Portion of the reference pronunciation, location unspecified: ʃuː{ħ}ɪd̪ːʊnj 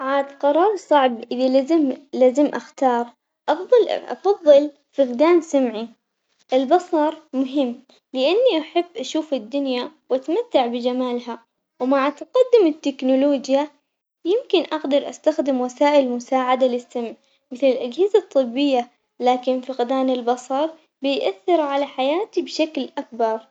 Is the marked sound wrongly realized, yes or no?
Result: yes